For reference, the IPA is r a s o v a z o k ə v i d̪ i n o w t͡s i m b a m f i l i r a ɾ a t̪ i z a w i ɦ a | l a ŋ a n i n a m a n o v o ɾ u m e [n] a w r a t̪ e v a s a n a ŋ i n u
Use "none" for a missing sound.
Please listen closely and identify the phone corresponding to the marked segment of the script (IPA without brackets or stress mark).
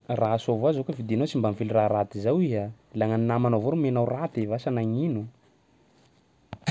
n